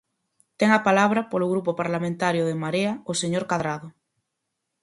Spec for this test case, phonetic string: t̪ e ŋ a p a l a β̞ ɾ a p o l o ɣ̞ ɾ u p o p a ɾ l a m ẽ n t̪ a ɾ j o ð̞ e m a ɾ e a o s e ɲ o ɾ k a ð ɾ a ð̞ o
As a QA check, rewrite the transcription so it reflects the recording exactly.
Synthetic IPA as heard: t̪ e ŋ a p a l a β̞ ɾ a p o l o ɣ̞ ɾ u p o p a ɾ l a m ẽ n t̪ a ɾ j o ð̞ e m a ɾ e a o s e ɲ o ɾ k a ð ɾ a ð̞ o